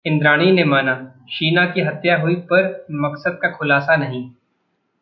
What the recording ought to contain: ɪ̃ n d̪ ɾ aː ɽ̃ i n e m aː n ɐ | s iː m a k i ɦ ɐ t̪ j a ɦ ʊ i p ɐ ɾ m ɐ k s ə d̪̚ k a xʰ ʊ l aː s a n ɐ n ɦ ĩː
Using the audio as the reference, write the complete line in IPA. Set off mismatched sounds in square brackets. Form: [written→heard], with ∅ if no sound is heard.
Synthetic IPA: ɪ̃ n d̪ ɾ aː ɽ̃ i n e m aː n [ɐ→a] | [s→ʃ] iː [m→n] a k i ɦ ɐ t̪ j a ɦ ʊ i p ɐ ɾ m ɐ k s ə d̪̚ k a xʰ ʊ l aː s a n ɐ [n→∅] ɦ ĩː